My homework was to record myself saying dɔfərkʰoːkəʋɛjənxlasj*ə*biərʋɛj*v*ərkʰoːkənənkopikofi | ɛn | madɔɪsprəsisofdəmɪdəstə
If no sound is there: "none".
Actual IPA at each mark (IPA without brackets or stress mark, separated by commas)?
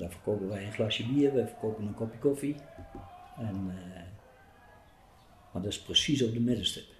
ə, f